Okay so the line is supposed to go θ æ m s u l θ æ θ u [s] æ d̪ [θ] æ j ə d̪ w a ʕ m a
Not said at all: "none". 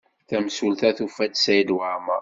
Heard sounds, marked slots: f, s

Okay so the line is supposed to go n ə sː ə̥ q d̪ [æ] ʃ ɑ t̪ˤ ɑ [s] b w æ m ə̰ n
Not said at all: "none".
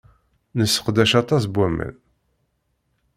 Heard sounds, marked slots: æ, s

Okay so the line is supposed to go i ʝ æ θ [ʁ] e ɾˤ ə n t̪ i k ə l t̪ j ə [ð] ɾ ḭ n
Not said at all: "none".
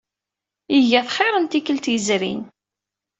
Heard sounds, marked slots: χ, z

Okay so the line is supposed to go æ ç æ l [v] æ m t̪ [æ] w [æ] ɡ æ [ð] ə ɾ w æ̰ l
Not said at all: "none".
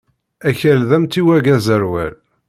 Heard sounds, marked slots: ð, i, æ, z

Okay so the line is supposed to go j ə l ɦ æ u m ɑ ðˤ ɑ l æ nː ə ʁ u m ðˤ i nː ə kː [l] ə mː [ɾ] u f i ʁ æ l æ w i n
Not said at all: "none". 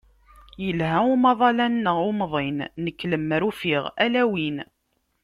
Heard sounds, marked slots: l, ɾ

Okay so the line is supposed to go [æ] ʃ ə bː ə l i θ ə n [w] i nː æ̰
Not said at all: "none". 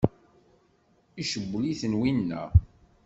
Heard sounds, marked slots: i, w

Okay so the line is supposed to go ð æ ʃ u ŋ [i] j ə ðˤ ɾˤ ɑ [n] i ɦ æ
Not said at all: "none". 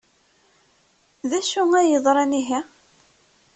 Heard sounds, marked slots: æ, n

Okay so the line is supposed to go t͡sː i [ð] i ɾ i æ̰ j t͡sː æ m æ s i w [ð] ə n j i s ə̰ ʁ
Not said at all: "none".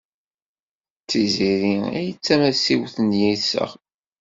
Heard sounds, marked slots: z, θ

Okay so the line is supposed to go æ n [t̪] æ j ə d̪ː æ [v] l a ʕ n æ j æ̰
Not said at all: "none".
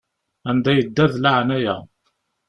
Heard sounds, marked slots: d̪, ð

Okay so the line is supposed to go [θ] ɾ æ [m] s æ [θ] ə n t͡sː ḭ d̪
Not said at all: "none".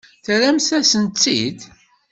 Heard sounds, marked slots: θ, m, s

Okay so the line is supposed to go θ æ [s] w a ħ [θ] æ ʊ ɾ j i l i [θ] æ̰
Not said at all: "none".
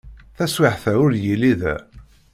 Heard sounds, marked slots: s, θ, ð

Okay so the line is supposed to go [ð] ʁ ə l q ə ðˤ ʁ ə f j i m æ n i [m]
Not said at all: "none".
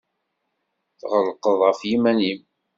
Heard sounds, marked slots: θ, m

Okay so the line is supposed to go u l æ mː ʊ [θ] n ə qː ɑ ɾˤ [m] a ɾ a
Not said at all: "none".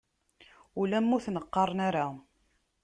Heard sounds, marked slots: θ, n

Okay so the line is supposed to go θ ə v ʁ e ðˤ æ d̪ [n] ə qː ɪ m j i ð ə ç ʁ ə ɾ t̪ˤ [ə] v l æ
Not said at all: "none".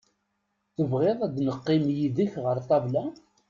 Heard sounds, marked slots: n, ɑ

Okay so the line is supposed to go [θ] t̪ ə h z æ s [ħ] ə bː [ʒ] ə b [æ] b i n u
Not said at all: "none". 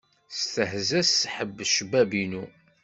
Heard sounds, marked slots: s, ħ, ʃ, æ

